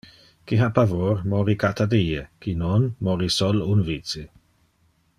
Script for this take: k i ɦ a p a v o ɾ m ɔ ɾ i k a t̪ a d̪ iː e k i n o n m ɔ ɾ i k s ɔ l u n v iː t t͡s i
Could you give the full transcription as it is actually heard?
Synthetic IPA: k i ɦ a p a v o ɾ m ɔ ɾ i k a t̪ a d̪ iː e k i n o n m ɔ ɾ i s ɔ l u n v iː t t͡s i